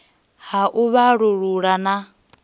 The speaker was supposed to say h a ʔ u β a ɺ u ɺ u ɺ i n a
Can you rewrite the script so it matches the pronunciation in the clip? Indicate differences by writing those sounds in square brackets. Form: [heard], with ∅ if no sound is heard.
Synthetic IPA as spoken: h a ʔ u β a ɺ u ɺ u ɺ [a] n a